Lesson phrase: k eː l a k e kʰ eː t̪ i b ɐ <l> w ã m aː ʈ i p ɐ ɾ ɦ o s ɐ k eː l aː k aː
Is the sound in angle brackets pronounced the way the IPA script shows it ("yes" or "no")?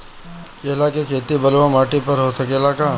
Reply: yes